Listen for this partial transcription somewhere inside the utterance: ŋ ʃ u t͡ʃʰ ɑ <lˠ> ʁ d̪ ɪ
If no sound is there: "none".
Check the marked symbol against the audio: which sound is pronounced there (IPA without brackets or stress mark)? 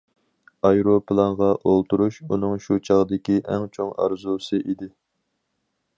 none